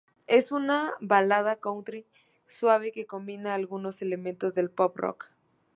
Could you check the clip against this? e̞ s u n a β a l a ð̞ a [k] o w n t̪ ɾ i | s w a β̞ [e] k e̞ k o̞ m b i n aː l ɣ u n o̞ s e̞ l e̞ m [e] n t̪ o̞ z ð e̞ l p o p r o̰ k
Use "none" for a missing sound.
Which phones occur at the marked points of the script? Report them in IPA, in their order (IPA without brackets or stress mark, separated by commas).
k, e, ẽ